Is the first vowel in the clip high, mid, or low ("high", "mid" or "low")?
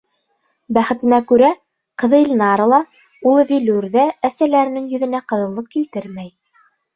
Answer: low